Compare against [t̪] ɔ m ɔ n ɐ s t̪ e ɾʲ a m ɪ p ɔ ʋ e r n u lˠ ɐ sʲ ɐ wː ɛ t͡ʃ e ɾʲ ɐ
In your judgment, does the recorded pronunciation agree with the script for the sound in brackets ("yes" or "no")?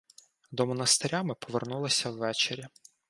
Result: no